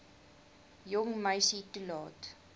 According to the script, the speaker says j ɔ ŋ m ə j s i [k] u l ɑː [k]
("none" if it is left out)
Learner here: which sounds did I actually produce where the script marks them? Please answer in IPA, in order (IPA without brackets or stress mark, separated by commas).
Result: t, t